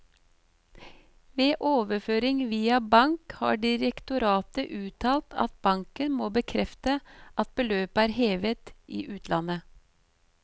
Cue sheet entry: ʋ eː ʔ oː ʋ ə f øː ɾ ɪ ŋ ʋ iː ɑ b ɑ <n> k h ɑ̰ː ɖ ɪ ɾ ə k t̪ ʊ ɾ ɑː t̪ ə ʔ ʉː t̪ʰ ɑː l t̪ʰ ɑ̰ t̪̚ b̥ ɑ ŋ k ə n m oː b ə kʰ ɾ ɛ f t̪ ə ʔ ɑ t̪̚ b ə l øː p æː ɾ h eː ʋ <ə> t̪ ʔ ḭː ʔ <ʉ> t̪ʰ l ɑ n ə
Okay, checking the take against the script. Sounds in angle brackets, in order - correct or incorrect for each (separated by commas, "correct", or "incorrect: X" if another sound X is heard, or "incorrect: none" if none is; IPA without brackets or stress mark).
incorrect: ŋ, correct, incorrect: ʉː